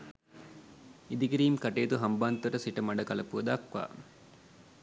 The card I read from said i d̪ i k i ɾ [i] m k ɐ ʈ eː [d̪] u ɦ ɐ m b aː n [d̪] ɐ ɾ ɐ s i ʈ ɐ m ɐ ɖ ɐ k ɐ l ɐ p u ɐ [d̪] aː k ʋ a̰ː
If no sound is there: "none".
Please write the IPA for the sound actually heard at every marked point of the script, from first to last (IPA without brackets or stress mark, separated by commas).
iː, t̪, t̪, d̪